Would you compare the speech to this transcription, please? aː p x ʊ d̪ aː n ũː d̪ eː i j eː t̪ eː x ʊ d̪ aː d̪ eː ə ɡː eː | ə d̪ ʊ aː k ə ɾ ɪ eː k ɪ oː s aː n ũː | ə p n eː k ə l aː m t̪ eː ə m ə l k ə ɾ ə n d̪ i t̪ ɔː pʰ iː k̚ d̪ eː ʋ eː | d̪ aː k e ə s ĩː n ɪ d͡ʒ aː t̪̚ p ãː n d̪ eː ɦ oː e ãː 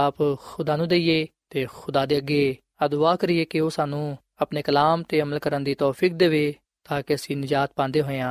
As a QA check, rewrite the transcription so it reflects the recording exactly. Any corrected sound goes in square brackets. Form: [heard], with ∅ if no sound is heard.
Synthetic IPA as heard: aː p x ʊ d̪ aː n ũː d̪ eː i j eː t̪ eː x ʊ d̪ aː d̪ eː ə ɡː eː | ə d̪ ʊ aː k ə ɾ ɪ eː k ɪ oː s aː n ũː | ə p n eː k ə l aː m t̪ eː ə m ə l k ə ɾ ə n d̪ [iː] t̪ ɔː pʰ iː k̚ d̪ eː ʋ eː | [t̪] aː k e ə s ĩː n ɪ d͡ʒ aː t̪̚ p ãː n d̪ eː ɦ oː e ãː